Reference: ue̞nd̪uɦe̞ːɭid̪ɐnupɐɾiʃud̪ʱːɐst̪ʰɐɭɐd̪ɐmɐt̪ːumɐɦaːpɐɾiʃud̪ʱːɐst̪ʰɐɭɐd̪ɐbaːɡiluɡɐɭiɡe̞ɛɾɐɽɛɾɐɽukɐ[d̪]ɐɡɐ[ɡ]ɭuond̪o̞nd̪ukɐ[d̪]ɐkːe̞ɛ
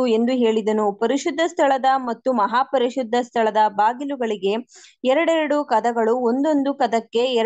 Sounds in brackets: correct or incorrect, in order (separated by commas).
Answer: correct, incorrect, correct